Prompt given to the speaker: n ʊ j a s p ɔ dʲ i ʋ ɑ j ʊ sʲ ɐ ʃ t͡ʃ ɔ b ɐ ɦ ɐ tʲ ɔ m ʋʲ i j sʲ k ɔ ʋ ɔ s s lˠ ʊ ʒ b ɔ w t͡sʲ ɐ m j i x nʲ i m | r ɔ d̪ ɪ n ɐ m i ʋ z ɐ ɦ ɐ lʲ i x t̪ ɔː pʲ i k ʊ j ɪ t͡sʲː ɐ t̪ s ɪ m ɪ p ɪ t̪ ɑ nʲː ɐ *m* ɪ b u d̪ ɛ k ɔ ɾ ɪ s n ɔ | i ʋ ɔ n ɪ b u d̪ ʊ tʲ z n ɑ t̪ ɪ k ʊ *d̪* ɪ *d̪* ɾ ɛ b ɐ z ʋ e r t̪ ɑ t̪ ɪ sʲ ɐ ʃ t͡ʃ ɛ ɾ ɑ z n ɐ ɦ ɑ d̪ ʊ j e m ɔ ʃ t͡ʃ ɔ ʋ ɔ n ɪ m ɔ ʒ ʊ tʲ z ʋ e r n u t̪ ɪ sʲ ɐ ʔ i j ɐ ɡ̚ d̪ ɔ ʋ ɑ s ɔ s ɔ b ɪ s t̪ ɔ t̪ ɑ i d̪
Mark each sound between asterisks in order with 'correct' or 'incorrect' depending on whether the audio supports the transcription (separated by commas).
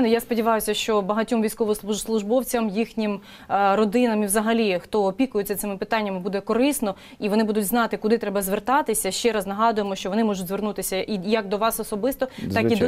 correct, correct, incorrect